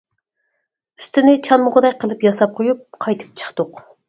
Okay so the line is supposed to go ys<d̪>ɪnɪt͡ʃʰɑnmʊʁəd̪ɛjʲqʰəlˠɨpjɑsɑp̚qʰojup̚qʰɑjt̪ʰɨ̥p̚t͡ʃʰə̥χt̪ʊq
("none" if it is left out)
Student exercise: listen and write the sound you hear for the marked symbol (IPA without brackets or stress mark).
t̪